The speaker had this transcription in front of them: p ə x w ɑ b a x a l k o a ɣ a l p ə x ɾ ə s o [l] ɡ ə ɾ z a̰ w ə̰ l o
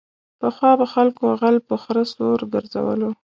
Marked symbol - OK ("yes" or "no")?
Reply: no